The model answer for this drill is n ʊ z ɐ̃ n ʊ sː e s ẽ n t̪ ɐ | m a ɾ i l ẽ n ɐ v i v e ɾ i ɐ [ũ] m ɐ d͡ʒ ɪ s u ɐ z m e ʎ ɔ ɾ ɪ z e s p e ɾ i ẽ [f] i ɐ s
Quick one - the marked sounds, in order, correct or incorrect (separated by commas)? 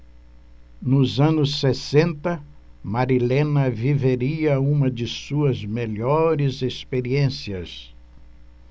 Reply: correct, incorrect